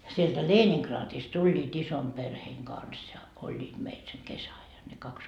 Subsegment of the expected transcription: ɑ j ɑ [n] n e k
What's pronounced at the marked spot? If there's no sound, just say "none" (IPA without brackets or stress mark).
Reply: n